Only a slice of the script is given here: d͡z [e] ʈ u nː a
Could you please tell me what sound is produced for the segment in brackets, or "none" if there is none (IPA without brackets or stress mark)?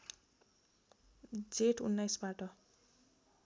e